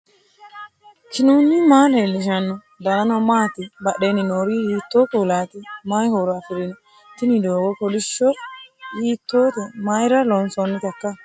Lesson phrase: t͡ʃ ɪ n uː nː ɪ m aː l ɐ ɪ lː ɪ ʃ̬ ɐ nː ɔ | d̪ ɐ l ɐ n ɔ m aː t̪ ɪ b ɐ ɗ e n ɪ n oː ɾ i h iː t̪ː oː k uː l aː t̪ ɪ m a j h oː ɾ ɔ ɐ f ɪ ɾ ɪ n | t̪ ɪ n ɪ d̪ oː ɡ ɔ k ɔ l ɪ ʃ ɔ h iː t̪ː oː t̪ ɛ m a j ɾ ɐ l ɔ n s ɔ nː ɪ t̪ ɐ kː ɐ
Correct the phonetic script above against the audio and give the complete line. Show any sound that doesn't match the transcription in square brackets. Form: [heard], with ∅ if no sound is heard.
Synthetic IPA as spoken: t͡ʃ ɪ n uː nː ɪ m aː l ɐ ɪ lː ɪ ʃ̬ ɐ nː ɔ | d̪ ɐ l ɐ n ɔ m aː t̪ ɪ b ɐ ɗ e n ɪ n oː ɾ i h iː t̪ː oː k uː l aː t̪ ɪ m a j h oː ɾ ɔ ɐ f ɪ ɾ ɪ n | t̪ ɪ n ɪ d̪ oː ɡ ɔ k ɔ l ɪ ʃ ɔ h iː t̪ː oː t̪ ɛ m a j ɾ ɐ l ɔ n s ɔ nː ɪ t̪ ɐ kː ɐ